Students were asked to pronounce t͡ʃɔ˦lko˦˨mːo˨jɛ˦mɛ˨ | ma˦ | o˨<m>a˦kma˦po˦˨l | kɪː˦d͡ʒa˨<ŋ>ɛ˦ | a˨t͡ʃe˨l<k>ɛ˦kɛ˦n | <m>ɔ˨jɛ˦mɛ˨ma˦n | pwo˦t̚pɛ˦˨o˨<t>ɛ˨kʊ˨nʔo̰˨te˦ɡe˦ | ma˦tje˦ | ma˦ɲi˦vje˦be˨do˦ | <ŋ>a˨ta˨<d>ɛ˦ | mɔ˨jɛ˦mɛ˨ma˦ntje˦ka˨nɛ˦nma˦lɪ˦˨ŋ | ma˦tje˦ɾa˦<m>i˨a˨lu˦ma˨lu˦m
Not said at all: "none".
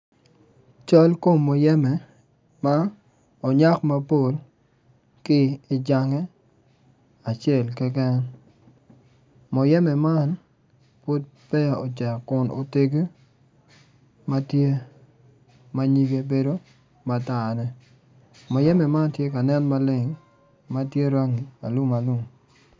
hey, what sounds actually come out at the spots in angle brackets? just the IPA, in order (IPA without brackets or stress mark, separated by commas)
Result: ɲ, ŋ, k, m, t͡ʃ, m, n, ŋ